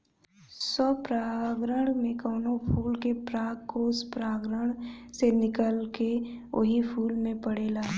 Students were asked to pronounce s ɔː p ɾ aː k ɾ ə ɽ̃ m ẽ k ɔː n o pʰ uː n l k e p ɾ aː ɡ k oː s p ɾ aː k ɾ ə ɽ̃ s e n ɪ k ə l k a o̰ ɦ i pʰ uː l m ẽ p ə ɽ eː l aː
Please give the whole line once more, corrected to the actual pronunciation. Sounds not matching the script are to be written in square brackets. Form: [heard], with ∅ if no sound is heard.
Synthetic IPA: s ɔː p ɾ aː [ɡ] ɾ ə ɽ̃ m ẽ k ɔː n o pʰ uː [∅] l k e p ɾ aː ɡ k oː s p ɾ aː [ɡ] ɾ ə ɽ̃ s e n ɪ k ə l k [e] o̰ ɦ i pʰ uː l m ẽ p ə ɽ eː l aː